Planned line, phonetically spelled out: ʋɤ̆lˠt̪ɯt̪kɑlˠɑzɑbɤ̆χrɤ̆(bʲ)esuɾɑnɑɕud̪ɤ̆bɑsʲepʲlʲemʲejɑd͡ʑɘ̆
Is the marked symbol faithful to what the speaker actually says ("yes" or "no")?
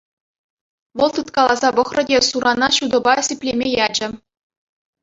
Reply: no